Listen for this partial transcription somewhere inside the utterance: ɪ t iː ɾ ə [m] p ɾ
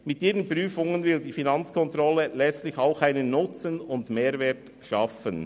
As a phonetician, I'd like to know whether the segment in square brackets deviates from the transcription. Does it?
yes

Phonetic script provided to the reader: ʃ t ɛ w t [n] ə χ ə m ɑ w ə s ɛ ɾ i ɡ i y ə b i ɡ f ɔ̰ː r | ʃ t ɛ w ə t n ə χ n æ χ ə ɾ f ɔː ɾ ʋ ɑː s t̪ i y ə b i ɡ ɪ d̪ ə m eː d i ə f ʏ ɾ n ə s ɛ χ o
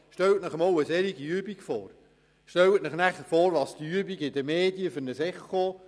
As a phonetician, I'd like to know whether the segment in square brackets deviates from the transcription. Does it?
no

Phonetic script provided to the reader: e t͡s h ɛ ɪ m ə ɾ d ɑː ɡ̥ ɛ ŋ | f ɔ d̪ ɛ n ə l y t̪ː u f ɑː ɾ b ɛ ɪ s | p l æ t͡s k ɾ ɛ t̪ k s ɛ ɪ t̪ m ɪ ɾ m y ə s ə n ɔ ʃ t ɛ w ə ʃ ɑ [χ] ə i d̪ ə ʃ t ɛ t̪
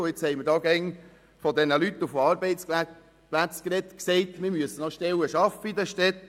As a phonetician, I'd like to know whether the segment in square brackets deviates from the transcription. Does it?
yes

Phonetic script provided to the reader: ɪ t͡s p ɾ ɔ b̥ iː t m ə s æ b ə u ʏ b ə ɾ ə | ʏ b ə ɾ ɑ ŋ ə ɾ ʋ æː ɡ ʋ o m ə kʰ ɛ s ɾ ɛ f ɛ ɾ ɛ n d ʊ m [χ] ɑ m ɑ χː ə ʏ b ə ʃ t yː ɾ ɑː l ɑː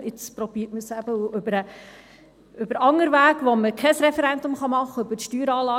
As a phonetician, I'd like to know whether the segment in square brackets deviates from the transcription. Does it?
no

